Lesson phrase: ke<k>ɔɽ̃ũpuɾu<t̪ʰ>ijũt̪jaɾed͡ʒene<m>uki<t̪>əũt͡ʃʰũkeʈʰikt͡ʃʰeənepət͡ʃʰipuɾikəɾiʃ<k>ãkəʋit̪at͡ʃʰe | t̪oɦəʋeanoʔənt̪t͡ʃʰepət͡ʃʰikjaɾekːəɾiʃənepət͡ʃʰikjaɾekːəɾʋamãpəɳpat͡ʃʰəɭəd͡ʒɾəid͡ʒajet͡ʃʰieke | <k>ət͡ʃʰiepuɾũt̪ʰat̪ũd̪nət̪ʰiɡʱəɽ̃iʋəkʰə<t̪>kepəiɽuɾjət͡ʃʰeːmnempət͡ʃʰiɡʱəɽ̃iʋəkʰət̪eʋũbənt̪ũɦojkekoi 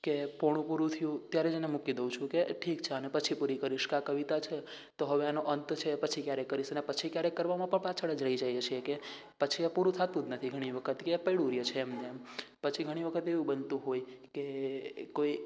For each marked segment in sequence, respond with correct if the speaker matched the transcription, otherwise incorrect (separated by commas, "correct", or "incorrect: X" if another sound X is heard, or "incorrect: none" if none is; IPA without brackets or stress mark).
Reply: incorrect: p, correct, correct, incorrect: d̪, correct, incorrect: p, correct